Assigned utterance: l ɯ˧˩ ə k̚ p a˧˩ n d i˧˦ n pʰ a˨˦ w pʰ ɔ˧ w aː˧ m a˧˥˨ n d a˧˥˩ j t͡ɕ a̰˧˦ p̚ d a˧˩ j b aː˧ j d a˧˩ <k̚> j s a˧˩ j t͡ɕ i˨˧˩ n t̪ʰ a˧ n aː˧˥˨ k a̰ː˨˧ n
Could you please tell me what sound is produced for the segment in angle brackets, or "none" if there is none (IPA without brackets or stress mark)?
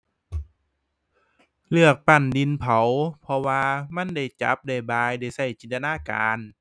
none